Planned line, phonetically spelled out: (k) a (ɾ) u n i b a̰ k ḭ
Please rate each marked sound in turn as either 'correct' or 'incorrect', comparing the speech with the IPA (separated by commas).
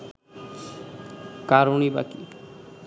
correct, correct